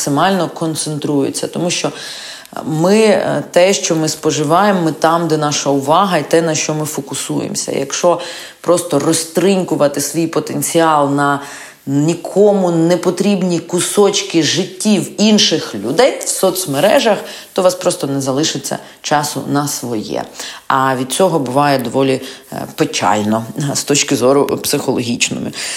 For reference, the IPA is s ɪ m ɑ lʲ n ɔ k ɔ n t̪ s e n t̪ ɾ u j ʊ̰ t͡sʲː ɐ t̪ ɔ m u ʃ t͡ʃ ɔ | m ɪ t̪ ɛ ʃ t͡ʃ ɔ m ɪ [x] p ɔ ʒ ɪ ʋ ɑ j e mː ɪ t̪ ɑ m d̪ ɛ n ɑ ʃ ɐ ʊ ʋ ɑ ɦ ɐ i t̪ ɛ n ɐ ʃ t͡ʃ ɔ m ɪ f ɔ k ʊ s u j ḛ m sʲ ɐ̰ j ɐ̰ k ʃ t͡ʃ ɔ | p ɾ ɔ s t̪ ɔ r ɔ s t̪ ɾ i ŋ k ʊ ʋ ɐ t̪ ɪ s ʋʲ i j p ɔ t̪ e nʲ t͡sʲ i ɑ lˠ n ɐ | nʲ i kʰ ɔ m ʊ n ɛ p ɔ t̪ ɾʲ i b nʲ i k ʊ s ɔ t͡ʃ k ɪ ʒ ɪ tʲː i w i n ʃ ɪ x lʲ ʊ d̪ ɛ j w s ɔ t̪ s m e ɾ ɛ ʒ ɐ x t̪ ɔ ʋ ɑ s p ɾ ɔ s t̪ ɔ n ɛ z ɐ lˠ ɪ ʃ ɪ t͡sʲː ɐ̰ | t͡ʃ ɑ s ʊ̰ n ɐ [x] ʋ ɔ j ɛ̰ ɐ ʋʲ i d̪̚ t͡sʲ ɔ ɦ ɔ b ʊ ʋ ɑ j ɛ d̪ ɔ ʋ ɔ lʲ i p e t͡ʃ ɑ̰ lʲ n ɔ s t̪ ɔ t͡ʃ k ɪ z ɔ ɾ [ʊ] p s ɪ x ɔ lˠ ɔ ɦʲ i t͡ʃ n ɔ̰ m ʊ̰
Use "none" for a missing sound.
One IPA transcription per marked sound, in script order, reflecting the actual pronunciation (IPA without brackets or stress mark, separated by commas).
s, s, ʊ